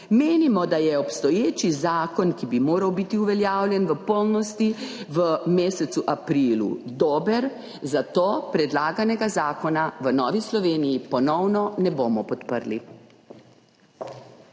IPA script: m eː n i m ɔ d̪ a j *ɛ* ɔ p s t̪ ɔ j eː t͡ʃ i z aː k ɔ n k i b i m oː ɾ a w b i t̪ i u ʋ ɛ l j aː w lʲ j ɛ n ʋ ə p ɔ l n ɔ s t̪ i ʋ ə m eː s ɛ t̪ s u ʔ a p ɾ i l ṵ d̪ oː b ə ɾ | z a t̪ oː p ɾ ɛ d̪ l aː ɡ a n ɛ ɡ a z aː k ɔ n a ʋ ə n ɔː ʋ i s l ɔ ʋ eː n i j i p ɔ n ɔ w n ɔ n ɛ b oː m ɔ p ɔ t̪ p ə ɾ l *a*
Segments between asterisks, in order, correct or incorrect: correct, incorrect

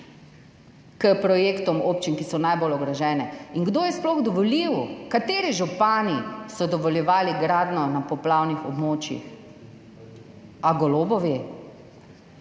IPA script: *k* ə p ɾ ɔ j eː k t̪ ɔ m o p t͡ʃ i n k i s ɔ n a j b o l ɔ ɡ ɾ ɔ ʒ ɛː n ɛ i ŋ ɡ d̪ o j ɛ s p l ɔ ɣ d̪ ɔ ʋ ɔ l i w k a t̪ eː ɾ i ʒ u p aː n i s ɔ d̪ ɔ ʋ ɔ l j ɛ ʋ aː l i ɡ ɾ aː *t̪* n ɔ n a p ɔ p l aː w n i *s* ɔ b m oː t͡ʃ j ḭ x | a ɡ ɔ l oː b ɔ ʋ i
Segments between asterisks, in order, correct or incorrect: correct, incorrect, incorrect

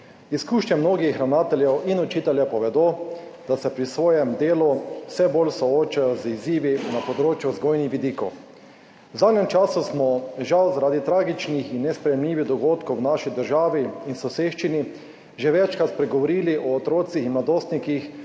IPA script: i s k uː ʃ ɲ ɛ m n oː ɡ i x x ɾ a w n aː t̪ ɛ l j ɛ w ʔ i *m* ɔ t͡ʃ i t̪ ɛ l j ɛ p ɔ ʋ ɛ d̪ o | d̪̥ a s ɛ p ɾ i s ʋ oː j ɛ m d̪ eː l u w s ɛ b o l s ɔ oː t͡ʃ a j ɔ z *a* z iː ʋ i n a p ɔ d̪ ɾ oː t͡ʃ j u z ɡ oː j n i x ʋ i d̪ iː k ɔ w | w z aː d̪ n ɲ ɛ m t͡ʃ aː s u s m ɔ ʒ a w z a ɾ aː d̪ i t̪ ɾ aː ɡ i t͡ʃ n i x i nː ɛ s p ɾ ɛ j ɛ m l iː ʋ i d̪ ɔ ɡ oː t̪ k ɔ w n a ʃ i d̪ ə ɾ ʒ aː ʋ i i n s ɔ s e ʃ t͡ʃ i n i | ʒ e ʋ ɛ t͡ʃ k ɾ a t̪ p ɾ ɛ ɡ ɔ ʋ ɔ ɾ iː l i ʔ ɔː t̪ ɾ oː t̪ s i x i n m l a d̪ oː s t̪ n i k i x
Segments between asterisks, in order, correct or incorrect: incorrect, incorrect

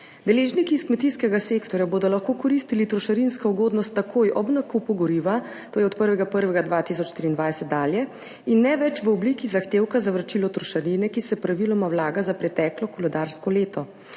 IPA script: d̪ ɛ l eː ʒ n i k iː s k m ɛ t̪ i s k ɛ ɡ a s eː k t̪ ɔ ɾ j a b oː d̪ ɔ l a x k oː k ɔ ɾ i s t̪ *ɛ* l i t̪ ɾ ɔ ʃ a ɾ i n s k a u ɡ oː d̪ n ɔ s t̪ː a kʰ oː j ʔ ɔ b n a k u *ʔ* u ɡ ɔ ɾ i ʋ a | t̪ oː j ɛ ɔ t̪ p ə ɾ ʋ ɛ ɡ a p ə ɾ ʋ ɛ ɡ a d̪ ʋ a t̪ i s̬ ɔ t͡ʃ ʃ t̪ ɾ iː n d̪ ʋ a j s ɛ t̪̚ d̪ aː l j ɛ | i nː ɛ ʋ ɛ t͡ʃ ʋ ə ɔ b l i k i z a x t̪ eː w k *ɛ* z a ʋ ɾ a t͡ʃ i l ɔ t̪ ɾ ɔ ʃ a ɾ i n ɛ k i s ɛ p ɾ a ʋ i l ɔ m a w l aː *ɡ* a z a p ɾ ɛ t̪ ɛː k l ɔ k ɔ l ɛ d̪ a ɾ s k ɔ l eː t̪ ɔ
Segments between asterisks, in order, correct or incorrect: incorrect, incorrect, incorrect, correct

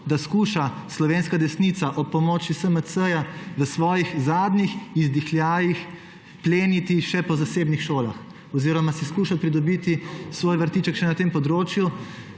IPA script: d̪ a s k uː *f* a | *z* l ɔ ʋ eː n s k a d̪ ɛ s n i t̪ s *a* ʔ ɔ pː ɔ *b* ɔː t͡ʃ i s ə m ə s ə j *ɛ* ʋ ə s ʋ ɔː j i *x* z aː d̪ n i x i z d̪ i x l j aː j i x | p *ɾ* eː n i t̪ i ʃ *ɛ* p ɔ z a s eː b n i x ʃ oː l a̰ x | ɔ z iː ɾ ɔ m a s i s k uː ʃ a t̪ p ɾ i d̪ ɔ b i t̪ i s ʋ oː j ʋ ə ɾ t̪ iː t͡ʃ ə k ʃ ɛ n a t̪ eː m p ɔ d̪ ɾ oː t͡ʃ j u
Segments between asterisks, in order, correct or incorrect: incorrect, incorrect, correct, incorrect, incorrect, correct, incorrect, correct

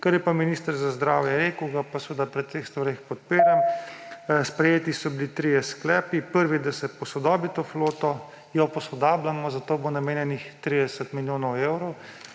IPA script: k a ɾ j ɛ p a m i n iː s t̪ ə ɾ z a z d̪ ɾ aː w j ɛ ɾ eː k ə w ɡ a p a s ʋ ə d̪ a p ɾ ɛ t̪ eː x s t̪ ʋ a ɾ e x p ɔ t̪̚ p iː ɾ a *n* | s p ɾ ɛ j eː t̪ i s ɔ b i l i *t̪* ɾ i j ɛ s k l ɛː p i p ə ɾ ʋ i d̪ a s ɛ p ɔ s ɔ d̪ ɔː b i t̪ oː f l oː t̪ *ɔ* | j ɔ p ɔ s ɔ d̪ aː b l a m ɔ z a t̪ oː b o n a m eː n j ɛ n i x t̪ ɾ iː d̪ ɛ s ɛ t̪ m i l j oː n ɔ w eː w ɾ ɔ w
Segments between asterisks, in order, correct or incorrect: incorrect, correct, correct

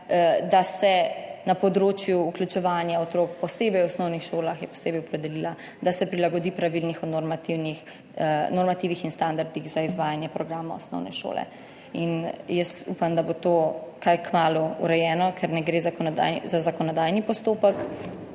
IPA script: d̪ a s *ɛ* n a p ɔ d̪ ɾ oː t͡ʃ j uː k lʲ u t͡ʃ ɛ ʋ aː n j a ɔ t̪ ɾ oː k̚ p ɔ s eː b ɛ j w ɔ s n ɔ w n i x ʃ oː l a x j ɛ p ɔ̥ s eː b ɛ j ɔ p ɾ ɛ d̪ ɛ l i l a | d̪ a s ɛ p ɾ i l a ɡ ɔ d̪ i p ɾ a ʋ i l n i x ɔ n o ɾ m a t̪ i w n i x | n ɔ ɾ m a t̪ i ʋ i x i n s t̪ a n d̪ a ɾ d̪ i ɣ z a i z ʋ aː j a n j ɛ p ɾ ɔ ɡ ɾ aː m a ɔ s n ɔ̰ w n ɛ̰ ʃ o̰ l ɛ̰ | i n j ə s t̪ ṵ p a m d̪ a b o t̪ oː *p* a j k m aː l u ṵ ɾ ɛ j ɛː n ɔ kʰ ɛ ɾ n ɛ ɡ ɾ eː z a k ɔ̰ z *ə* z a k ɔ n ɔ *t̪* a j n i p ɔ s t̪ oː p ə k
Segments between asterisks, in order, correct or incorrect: correct, incorrect, incorrect, incorrect

